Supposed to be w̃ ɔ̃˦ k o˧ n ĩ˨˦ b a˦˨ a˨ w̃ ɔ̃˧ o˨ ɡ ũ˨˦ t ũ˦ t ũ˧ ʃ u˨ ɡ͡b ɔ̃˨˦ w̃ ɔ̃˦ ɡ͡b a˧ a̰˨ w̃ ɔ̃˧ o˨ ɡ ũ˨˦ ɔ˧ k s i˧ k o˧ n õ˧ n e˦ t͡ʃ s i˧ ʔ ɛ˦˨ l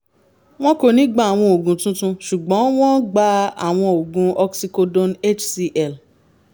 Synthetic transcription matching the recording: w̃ ɔ̃˦ k o˧ n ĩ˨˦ ɡ͡b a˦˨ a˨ w̃ ɔ̃˧ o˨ ɡ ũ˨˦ t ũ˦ t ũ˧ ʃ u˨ ɡ͡b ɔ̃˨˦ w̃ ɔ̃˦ ɡ͡b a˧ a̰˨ w̃ ɔ̃˧ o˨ ɡ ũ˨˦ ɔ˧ k s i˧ k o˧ d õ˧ n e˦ t͡ʃ s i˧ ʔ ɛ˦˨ l